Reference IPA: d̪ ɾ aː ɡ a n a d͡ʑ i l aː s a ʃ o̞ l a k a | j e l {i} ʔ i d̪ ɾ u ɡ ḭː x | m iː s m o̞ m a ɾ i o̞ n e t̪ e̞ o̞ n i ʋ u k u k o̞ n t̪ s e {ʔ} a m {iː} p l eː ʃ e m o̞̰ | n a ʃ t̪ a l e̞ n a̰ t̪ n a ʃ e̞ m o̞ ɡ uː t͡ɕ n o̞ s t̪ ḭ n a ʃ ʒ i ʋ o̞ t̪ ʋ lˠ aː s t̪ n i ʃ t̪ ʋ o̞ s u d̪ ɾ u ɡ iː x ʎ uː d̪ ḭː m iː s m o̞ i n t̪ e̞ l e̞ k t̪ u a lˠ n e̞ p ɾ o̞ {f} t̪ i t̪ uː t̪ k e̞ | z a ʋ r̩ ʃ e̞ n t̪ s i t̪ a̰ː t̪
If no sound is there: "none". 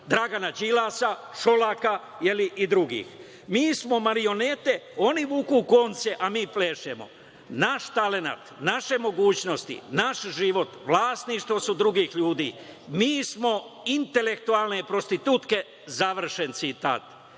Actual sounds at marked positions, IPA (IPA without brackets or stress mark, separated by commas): i, ʔ, iː, s